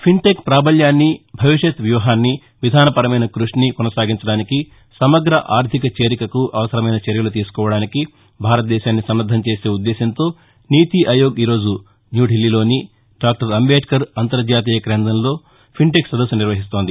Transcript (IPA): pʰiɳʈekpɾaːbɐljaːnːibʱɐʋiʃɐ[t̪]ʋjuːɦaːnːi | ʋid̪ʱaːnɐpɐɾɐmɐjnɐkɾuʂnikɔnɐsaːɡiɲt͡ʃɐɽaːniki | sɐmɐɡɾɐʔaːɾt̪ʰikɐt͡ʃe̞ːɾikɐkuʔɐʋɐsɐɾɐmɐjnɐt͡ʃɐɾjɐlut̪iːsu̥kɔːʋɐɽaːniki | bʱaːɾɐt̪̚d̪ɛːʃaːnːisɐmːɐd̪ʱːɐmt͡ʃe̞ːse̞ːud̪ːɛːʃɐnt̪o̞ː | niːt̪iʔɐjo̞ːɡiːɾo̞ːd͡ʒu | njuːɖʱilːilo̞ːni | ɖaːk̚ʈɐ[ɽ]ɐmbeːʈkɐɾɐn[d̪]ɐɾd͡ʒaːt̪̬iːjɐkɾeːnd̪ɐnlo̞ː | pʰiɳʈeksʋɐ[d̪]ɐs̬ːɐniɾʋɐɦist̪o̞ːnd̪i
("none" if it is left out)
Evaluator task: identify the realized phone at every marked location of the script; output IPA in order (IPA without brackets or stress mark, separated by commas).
t̪, ɾ, t̪, d̪